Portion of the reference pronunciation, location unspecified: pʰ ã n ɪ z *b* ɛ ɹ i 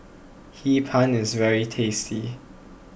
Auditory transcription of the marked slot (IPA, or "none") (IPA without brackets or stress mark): v